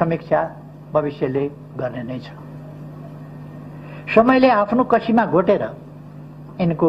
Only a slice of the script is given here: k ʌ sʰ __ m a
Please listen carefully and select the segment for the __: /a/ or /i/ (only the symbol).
i